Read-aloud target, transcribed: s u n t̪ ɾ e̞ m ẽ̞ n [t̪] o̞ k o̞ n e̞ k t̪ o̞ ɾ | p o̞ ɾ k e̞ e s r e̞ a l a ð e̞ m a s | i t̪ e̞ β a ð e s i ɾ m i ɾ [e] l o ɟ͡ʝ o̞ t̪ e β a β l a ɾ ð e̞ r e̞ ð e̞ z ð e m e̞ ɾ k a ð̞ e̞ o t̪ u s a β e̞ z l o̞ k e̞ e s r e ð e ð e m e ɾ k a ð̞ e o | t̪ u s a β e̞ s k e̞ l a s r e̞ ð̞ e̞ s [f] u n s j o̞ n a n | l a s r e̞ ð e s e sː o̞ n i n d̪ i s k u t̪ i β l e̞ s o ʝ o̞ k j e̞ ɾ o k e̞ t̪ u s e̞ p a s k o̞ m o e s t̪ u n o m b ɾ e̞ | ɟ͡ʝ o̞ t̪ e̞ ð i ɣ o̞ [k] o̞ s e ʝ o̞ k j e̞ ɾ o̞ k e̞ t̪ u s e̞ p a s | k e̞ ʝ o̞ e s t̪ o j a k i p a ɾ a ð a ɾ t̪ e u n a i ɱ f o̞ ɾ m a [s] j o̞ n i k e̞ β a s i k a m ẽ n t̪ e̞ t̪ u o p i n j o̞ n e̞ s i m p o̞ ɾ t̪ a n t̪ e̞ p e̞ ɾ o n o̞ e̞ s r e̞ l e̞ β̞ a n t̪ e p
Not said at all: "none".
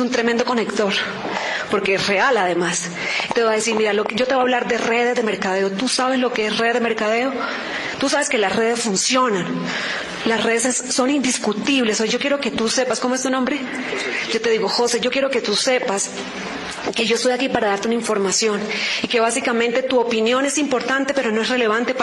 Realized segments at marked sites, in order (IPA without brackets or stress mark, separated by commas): d̪, a, f, x, s